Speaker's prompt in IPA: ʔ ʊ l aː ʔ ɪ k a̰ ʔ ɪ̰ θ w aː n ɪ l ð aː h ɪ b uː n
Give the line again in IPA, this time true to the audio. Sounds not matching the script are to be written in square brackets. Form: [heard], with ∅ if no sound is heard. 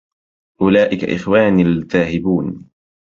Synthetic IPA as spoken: ʔ ʊ l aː ʔ ɪ k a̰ ʔ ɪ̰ [x] w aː n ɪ l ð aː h ɪ b uː n